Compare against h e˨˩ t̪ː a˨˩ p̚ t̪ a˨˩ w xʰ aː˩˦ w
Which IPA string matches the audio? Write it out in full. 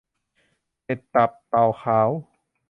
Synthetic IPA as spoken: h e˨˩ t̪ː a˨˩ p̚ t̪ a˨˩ w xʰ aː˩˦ w